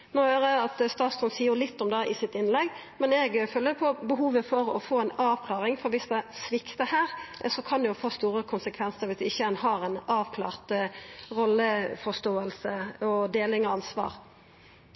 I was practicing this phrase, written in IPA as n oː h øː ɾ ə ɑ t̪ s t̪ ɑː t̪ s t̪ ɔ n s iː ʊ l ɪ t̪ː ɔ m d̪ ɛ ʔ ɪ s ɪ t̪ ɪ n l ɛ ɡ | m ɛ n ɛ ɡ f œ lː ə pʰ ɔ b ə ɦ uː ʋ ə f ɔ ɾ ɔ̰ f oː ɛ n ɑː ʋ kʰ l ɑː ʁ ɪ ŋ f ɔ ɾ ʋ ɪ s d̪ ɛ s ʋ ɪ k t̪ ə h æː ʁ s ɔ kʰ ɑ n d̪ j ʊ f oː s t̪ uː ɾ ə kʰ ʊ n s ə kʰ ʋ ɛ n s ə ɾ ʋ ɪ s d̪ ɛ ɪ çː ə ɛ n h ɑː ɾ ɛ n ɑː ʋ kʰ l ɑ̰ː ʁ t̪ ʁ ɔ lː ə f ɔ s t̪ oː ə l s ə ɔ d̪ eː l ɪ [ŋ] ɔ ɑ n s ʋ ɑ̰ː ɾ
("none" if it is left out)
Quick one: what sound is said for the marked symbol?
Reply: ŋ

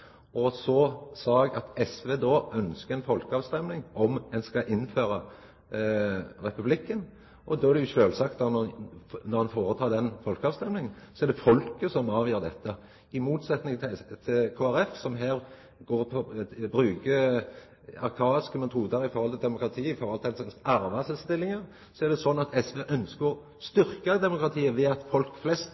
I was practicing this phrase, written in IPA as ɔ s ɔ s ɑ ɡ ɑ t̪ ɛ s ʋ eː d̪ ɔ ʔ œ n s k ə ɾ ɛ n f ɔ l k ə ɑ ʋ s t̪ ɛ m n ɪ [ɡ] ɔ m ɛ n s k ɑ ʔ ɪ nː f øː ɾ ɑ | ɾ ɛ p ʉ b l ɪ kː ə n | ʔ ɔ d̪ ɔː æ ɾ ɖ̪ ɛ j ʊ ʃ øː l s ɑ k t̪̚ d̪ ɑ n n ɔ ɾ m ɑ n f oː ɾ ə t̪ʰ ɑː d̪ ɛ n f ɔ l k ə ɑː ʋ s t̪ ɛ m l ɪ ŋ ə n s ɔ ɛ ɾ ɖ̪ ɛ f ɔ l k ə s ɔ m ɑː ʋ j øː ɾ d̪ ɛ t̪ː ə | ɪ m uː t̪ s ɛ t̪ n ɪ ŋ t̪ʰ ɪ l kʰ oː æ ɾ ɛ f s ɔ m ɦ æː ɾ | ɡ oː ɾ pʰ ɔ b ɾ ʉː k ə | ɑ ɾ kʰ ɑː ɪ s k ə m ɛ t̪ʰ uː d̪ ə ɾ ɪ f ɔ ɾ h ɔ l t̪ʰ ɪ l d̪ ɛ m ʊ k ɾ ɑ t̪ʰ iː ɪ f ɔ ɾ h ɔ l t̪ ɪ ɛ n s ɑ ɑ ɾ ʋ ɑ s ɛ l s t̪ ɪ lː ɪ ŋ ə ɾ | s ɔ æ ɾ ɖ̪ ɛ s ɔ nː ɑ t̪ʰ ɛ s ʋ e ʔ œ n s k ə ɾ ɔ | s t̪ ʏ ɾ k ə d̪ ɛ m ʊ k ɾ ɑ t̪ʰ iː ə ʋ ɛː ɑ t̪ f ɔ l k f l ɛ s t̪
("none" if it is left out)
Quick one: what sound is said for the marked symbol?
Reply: ŋ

